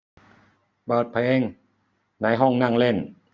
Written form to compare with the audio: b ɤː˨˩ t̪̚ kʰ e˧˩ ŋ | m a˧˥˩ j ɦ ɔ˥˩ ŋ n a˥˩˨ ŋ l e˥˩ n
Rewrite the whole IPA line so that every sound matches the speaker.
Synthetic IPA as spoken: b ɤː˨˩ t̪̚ pʰ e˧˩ ŋ | n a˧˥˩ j ɦ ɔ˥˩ ŋ n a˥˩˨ ŋ l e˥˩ n

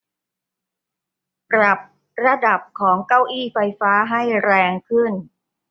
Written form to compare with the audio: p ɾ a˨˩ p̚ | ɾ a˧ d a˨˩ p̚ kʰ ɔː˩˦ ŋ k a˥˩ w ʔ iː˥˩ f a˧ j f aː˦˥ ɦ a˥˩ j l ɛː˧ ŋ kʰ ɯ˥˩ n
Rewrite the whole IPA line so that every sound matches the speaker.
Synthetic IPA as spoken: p ɾ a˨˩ p̚ | ɾ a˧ d a˨˩ p̚ kʰ ɔː˩˦ ŋ k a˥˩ w ʔ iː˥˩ f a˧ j f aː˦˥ ɦ a˥˩ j ɾ ɛː˧ ŋ kʰ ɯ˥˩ n

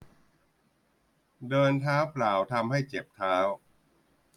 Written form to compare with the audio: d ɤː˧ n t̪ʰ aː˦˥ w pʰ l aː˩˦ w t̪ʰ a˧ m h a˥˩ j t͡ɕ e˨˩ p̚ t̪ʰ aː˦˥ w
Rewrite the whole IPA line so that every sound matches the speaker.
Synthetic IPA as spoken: d ɤː˧ n t̪ʰ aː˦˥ w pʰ l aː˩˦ w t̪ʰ a˧ m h a˥˩ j t͡ɕ e˨˩ p̚ t̪ʰ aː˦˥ w

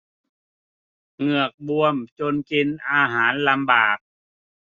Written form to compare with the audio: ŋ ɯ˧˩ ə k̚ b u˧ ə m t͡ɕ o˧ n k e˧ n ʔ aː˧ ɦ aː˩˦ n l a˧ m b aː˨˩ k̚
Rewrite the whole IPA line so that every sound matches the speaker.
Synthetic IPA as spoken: ŋ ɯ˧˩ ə k̚ b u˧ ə m t͡ɕ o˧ n k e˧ n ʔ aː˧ ɦ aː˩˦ n l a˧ m b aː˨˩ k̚

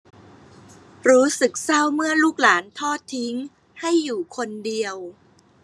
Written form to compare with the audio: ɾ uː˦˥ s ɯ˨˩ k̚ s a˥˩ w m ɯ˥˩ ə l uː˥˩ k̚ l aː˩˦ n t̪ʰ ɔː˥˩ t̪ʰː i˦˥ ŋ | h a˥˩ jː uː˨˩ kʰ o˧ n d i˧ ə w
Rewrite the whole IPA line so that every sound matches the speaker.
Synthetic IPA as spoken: ɾ uː˦˥ s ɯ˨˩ k̚ s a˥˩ w m ɯ˥˩ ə l uː˥˩ k̚ l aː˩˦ n t̪ʰ ɔː˥˩ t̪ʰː i˦˥ ŋ | h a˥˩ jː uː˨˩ kʰ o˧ n d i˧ ə w

